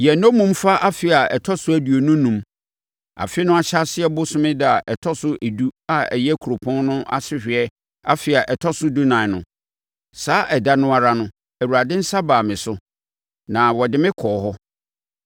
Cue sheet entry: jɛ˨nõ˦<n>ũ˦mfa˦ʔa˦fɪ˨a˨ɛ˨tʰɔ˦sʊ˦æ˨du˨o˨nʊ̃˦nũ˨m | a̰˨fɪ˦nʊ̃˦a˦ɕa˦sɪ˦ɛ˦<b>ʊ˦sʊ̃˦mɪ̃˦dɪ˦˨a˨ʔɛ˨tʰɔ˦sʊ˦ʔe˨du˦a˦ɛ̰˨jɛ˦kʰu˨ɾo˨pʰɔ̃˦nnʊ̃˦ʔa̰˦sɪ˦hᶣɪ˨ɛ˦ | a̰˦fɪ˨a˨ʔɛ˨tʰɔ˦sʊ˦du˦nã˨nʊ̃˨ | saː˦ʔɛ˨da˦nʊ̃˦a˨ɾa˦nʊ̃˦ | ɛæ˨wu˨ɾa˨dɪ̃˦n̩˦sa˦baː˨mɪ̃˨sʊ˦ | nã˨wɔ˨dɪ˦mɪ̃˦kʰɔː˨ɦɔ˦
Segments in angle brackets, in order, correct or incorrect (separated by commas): incorrect, correct